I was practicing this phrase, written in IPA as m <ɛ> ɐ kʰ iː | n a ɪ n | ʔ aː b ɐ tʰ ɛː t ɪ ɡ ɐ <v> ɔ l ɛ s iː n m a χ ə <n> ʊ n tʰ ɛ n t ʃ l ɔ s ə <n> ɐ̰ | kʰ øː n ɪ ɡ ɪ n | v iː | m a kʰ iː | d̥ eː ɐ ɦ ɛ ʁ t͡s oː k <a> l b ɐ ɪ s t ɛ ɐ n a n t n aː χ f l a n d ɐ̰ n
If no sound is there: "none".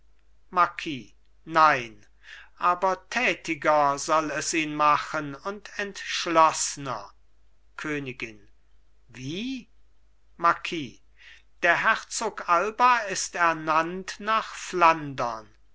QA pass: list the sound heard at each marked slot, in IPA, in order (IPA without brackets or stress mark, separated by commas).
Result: a, z, n, n, a